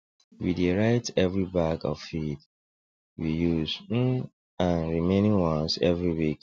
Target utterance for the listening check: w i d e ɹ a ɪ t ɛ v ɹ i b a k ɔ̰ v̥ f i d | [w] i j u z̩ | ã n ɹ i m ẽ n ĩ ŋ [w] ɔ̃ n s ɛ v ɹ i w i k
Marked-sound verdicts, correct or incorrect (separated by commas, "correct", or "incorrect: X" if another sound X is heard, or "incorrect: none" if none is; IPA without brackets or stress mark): correct, correct